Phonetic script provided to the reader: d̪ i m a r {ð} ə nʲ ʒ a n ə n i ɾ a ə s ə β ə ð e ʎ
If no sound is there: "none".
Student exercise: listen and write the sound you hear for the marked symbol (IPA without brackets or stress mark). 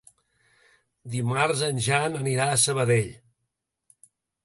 z